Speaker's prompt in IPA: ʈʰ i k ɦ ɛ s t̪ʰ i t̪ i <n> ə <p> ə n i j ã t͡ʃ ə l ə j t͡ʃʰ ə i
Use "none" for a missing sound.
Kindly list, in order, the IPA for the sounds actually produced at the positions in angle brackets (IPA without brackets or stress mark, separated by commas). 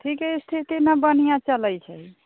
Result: n, b